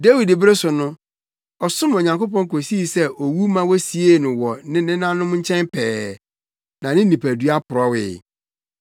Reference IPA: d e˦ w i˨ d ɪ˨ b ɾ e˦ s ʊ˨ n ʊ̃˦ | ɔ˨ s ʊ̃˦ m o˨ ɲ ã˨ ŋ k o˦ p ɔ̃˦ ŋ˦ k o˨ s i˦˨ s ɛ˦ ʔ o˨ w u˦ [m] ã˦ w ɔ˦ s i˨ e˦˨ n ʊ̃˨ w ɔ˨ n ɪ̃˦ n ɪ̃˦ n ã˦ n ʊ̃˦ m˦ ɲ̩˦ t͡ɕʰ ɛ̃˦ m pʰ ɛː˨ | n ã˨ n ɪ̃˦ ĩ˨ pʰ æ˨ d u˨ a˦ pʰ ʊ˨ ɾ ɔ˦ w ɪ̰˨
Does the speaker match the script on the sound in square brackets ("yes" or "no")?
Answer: yes